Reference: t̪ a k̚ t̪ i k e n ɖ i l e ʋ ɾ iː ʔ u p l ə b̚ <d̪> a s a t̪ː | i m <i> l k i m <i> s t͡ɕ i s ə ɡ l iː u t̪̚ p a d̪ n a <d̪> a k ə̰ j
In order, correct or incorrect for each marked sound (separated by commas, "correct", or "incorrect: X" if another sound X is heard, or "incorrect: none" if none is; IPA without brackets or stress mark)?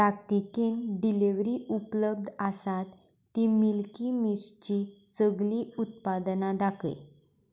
correct, correct, correct, correct